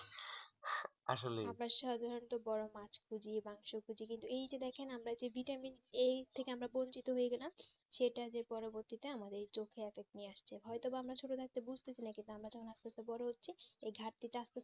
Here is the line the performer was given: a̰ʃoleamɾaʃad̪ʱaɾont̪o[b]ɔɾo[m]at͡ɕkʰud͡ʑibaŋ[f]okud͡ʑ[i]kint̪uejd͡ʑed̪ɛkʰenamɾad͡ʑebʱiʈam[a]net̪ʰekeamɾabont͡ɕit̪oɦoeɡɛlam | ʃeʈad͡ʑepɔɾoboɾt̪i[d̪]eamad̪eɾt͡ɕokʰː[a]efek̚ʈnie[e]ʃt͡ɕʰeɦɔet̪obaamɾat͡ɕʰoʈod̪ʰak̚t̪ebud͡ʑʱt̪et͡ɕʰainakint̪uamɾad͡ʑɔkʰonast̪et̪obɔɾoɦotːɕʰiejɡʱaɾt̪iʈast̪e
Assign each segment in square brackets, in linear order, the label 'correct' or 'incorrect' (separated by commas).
correct, correct, incorrect, correct, incorrect, incorrect, incorrect, incorrect